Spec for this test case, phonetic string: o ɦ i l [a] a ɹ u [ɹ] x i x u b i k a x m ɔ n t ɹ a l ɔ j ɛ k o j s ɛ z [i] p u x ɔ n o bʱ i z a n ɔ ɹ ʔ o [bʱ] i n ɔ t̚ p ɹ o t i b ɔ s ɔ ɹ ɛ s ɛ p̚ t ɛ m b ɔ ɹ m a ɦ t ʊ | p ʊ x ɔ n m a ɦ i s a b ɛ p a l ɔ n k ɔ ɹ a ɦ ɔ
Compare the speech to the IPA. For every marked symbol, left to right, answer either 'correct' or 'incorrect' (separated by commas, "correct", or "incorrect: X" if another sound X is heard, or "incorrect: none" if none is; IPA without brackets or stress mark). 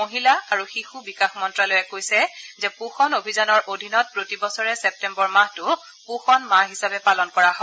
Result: correct, incorrect: none, incorrect: ɛ, incorrect: dʱ